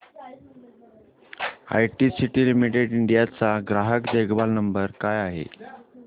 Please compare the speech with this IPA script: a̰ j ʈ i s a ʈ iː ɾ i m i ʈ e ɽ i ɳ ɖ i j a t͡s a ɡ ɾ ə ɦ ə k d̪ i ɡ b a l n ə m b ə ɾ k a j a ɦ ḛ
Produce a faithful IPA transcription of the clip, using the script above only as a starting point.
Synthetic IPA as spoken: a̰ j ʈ i s i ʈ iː l i m i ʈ e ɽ i ɳ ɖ i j a t͡s a ɡ ɾ a ɦ ə k d̪ e ɡ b a l n ə m b ə ɾ k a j a ɦ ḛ